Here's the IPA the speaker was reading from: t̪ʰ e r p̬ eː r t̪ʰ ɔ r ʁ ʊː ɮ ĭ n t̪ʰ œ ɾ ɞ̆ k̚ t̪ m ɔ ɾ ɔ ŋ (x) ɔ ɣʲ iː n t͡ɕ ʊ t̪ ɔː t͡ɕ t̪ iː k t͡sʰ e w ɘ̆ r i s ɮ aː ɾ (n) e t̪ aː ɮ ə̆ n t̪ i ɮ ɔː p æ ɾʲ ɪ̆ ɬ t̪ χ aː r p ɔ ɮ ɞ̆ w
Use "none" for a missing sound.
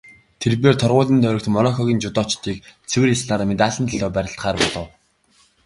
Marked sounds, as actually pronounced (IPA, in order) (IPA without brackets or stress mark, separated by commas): x, m